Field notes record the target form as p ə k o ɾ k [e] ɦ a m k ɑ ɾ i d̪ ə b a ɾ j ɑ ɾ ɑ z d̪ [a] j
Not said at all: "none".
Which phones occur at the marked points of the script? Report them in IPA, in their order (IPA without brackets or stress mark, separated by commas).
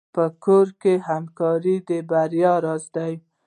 e, a